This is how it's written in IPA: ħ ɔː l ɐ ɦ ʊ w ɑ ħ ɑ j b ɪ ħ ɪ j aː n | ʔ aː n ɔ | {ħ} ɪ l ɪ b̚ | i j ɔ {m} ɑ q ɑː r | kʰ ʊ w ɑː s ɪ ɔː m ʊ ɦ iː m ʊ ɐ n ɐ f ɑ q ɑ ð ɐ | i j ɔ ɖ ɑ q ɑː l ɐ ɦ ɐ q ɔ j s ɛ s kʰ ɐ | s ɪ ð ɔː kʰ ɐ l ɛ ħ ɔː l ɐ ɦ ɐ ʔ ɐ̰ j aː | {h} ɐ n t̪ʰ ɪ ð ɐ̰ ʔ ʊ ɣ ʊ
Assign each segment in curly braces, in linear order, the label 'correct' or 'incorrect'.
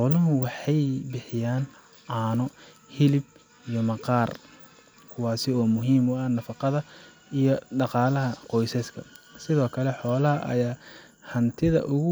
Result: incorrect: h, correct, correct

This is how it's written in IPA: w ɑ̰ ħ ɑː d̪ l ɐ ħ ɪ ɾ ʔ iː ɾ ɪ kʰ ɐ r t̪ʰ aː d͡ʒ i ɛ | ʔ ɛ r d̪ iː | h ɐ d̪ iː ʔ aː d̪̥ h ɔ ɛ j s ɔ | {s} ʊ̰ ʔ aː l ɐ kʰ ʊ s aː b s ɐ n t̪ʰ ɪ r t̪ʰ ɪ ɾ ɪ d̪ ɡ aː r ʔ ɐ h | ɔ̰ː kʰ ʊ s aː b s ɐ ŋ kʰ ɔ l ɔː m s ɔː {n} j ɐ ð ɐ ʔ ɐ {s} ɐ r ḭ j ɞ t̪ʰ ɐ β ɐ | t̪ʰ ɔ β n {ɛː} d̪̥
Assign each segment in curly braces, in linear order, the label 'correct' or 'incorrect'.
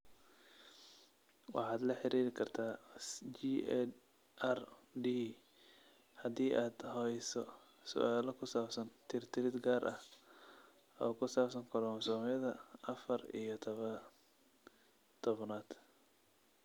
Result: correct, incorrect: m, incorrect: f, incorrect: aː

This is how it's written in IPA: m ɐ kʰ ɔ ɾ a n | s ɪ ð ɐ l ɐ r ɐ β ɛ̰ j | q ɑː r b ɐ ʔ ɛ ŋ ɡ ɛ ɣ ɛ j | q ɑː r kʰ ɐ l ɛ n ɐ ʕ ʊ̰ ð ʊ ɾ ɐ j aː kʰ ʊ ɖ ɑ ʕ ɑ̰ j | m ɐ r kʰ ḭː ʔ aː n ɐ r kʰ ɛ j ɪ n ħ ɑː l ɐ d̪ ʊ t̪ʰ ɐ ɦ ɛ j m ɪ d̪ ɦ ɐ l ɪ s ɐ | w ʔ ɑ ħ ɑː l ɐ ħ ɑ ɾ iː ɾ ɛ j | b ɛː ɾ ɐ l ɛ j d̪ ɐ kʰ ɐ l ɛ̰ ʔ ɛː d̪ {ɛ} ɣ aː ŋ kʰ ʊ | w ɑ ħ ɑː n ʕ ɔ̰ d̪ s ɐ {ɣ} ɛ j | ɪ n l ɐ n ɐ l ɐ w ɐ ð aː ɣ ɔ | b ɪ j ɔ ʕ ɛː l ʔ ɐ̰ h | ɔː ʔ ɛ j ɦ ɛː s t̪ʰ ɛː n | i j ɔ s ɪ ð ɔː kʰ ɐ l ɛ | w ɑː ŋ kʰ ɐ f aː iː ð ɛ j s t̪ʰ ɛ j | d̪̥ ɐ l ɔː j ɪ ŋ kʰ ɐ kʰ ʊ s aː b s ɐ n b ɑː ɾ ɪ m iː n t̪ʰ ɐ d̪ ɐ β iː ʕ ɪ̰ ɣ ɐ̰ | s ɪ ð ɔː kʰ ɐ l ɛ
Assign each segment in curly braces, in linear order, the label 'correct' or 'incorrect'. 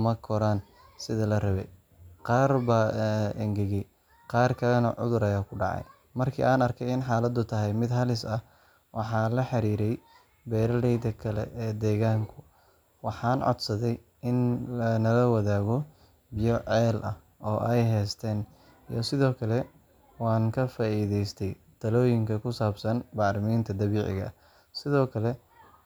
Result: incorrect: ɛː, incorrect: ð

